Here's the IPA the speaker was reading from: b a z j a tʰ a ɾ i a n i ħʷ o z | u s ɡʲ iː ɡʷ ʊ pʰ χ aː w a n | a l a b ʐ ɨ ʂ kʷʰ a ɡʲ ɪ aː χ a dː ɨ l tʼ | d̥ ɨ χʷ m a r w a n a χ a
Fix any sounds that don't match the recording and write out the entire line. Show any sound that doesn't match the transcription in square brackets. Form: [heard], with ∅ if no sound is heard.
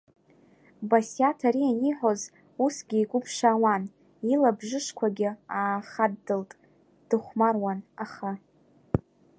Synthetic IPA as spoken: b a [s] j a tʰ a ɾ i a n i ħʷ o z | u s ɡʲ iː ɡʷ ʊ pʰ [ʂ] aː w a n | [i] l a b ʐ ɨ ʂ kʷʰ a ɡʲ ɪ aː χ a dː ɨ l tʼ | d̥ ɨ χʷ m a r w a n a χ a